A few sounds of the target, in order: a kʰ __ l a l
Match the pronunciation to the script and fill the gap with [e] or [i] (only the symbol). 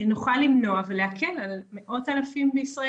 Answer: e